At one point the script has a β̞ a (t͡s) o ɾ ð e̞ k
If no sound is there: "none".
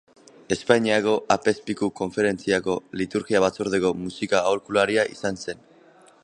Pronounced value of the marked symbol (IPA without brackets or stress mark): t͡s